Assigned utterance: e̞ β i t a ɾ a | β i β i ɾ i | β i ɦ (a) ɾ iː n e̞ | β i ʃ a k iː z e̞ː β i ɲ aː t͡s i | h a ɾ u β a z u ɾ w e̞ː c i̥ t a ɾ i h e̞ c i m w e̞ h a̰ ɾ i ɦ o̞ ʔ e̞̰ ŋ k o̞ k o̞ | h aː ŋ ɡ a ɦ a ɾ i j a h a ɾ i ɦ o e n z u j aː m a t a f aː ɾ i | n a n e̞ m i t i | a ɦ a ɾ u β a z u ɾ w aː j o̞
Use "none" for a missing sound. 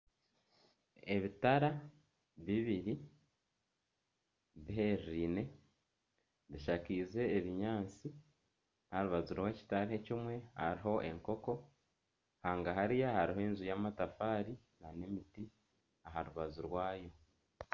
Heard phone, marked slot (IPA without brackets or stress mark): e